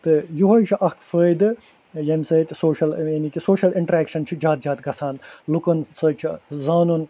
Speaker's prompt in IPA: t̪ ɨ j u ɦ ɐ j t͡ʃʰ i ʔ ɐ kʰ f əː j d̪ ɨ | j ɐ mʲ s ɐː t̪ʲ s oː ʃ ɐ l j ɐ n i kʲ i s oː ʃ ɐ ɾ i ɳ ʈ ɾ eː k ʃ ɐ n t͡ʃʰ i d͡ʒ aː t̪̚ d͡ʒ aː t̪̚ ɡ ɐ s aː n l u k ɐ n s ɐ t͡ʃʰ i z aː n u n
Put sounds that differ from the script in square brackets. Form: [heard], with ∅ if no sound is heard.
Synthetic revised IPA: t̪ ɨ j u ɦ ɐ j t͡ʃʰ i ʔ ɐ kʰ f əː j d̪ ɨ | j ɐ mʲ s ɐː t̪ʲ s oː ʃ ɐ l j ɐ n i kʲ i s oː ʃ ɐ [l] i ɳ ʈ ɾ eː k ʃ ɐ n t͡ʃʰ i d͡ʒ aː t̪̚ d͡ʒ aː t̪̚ ɡ ɐ s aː n l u k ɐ n s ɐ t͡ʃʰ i z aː n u n